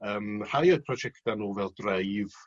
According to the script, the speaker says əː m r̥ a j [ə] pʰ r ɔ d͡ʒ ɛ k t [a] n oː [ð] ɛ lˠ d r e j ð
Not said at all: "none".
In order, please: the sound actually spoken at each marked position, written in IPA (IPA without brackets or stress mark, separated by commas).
ə, a, v